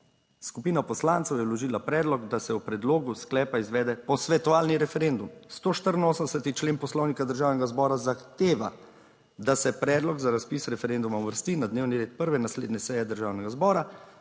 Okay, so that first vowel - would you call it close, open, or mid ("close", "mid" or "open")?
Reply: close